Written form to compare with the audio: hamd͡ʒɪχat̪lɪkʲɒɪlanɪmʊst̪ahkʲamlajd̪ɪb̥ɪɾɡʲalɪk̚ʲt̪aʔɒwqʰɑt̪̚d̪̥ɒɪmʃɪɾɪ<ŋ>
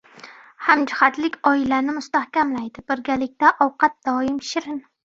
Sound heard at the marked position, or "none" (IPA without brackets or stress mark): n